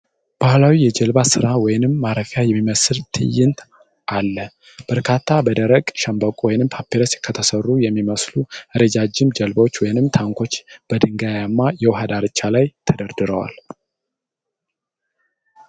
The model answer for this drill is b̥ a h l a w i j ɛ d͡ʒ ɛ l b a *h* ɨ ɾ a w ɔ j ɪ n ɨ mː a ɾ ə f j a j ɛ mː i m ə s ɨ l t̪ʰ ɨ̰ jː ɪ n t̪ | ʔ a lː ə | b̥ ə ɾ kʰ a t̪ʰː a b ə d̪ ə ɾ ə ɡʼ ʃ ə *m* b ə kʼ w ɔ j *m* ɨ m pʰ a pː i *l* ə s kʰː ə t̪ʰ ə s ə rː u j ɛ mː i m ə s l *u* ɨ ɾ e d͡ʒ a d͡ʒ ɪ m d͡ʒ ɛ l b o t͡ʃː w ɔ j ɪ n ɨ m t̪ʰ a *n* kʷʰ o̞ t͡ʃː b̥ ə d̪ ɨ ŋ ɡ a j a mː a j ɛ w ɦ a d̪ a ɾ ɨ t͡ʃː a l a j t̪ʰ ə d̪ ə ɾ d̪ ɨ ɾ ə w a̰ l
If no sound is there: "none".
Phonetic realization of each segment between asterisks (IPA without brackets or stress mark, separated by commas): s, m, n, ɾ, u, ŋ